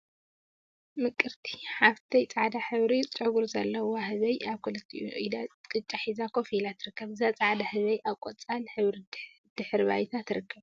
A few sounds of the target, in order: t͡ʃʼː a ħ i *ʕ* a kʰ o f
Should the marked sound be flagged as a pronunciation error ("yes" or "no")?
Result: yes